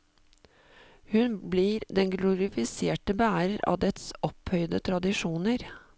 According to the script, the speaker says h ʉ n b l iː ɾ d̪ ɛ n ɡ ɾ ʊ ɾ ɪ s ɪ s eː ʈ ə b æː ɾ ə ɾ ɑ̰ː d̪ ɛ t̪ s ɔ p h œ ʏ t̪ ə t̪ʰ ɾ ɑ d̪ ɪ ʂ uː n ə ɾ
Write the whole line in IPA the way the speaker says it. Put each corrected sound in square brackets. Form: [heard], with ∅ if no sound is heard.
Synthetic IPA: h ʉ n b l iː ɾ d̪ ɛ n ɡ [l] ʊ ɾ ɪ [f] ɪ s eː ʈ ə b æː ɾ ə ɾ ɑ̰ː d̪ ɛ t̪ s ɔ p h œ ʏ [d̪] ə t̪ʰ ɾ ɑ d̪ ɪ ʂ uː n ə ɾ